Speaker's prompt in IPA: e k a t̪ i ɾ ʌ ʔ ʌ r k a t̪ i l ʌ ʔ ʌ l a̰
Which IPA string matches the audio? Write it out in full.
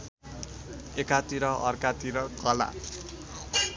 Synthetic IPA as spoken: e k a t̪ i ɾ ʌ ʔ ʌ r k a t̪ i ɾ ʌ k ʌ l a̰